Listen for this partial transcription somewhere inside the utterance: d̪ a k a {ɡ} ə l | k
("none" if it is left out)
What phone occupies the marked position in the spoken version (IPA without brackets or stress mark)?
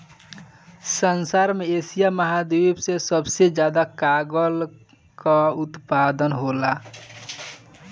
ɡ